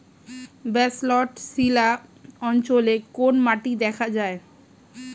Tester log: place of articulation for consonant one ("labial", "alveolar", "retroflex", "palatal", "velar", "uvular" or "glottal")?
labial